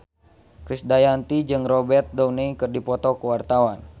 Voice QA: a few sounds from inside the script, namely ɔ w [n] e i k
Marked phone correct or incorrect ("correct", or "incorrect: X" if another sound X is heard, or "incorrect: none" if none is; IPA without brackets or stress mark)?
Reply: correct